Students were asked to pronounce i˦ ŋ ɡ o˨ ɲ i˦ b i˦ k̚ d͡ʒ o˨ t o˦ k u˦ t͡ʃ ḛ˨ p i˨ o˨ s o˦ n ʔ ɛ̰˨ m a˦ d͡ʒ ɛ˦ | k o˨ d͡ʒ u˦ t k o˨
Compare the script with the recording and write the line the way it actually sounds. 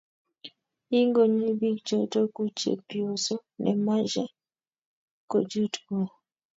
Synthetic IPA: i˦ ŋ ɡ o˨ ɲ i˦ b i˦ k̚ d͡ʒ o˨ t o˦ k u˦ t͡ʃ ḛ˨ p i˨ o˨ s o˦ n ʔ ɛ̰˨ m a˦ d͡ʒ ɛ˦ | k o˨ d͡ʒ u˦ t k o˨

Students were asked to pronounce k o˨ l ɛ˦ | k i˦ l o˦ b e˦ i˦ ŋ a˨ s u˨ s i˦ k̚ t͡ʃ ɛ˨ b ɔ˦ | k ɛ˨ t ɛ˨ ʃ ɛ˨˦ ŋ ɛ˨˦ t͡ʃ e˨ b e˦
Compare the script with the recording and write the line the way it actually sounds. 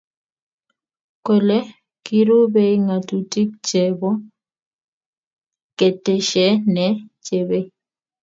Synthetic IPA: k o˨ l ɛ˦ | k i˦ ɾ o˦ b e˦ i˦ ŋ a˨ t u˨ t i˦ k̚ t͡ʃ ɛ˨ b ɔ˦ | k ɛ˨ t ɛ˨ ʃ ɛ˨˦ n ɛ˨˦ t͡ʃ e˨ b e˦

